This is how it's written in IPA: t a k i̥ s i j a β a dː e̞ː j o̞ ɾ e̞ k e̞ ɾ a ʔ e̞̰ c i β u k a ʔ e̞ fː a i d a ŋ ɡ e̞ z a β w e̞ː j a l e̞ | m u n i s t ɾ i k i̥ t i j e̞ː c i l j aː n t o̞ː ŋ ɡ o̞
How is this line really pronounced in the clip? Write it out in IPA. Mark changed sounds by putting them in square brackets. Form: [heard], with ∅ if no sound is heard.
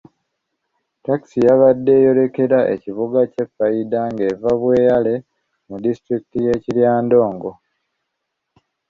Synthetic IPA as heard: t a k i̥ s i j a β a dː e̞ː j o̞ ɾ e̞ k e̞ ɾ a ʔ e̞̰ c i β u [ɡ] a [c] e̞ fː a i d a ŋ ɡ e̞ [v] a β w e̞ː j a l e̞ | m u [d] i s t ɾ i k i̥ t i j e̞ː c i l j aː n [d] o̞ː ŋ ɡ o̞